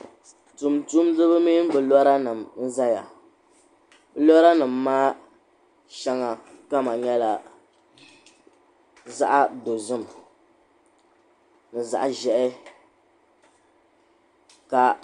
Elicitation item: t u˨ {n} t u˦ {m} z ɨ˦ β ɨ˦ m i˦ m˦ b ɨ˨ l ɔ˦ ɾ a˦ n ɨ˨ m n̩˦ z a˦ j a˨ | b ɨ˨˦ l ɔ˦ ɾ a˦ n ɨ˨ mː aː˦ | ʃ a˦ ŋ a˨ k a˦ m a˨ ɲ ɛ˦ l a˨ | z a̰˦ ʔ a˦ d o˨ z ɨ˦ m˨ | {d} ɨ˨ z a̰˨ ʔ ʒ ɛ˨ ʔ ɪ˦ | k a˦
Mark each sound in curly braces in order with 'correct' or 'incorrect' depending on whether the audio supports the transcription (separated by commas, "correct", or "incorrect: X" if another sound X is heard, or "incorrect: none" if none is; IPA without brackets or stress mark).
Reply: incorrect: m, correct, incorrect: n